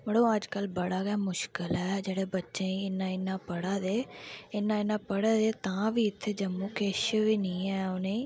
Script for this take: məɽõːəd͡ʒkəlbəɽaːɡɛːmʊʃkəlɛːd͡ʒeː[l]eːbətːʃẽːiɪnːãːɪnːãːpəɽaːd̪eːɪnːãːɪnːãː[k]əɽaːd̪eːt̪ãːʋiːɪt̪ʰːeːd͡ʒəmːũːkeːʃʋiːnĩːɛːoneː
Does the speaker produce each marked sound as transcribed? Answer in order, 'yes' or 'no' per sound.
no, no

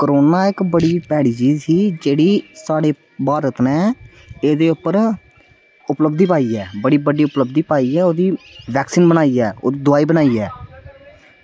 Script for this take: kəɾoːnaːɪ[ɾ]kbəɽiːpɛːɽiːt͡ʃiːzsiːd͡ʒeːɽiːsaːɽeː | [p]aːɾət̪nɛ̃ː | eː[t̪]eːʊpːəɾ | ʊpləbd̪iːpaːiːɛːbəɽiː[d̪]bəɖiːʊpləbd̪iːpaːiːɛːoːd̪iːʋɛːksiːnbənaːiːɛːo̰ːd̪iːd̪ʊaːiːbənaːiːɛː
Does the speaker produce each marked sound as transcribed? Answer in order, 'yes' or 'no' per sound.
no, no, no, no

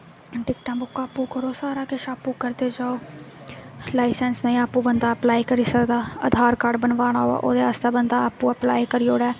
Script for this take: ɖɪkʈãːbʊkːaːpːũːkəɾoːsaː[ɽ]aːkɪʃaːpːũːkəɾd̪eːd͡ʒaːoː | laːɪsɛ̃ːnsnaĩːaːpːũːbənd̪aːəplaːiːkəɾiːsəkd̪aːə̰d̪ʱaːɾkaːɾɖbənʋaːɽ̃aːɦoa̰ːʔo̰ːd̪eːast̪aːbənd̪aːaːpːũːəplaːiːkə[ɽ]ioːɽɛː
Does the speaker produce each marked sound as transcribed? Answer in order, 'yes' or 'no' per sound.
no, no

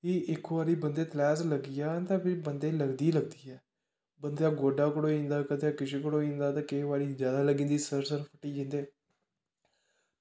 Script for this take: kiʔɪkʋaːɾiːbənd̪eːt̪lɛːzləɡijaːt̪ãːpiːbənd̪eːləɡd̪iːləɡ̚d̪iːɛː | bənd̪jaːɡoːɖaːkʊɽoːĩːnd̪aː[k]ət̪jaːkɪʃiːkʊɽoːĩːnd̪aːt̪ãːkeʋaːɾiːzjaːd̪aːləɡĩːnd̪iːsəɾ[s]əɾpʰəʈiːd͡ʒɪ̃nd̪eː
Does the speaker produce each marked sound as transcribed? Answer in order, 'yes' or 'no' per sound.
yes, yes

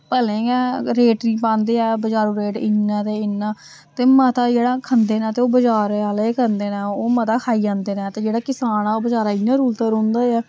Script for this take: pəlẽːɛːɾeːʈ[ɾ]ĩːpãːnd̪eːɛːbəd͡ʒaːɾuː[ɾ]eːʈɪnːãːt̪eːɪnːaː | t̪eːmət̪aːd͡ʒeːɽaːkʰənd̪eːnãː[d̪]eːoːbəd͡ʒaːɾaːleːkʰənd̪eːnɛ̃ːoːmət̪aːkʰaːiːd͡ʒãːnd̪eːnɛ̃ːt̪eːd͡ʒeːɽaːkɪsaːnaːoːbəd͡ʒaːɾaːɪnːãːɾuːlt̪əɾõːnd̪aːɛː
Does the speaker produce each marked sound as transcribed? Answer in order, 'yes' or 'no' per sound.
yes, yes, no

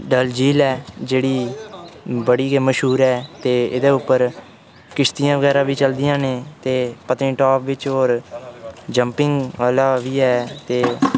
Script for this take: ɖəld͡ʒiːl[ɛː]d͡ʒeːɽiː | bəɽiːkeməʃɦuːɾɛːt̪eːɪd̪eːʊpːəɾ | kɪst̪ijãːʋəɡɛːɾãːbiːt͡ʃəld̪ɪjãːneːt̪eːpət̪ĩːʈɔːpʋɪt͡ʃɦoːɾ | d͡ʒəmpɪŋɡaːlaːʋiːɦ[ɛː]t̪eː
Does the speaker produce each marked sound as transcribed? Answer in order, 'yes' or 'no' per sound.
yes, yes

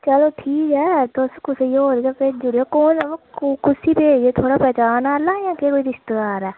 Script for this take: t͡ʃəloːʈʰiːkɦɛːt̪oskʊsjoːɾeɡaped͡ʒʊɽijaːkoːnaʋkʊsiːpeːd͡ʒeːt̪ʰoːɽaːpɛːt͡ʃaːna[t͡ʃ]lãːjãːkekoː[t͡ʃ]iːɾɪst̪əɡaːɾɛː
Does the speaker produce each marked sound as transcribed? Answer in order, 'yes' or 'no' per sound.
no, no

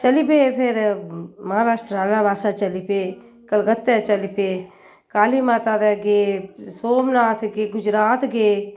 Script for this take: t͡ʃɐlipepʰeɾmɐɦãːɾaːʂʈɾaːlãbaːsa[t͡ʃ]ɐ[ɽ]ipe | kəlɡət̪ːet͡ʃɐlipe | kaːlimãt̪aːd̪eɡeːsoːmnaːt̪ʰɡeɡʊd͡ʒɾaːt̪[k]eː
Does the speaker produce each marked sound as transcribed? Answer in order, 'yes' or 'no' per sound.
yes, no, no

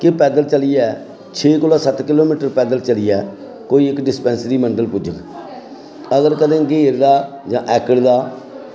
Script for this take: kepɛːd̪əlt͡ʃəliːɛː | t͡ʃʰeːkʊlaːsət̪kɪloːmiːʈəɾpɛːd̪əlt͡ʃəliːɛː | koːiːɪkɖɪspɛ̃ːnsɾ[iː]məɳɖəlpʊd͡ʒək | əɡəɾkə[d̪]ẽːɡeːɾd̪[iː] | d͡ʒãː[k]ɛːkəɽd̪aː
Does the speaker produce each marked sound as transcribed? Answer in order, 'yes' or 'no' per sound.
yes, yes, no, no

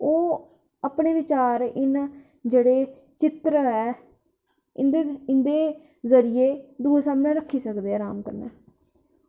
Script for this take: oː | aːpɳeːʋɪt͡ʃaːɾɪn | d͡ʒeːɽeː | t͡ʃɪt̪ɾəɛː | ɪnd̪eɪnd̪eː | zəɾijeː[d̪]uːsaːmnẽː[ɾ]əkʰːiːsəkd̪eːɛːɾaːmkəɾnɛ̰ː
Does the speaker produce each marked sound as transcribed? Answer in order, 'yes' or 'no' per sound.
yes, yes

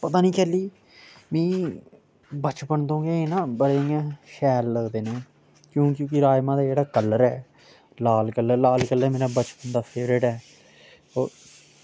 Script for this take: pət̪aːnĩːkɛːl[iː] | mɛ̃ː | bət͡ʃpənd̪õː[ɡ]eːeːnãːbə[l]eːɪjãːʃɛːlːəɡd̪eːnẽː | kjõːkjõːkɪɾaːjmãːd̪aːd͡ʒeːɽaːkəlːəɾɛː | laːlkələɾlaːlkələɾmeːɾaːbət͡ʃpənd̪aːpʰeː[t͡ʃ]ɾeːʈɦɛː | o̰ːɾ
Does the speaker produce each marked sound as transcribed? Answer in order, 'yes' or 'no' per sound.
yes, yes, no, no

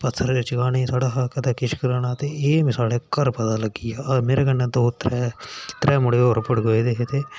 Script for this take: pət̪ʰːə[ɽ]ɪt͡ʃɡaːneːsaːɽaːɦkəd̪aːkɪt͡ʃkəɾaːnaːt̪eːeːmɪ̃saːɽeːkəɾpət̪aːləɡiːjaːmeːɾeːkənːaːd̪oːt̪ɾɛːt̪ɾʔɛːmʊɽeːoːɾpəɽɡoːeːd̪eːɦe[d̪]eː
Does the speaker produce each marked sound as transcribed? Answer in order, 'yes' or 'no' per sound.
no, no

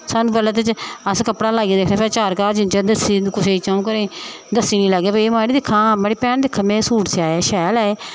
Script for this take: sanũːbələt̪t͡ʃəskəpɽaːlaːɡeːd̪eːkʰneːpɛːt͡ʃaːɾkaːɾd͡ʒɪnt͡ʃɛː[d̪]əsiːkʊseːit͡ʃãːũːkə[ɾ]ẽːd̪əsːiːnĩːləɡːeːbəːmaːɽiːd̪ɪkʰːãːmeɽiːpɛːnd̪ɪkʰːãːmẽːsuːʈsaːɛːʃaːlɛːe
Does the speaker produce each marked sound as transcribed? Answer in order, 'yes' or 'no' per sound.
yes, yes

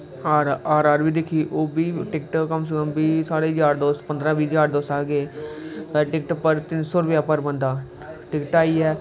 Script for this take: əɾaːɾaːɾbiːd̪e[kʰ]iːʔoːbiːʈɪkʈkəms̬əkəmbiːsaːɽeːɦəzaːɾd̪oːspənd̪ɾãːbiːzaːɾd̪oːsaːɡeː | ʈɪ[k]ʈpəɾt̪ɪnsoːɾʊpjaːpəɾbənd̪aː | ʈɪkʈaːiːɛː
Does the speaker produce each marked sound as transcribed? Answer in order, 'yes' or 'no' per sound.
yes, yes

